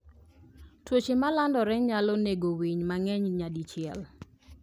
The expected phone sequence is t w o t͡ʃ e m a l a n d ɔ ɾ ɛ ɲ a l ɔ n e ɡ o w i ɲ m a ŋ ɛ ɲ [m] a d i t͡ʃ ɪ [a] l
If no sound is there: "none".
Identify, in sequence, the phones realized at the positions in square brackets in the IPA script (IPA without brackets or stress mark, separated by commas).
ɲ, ɛ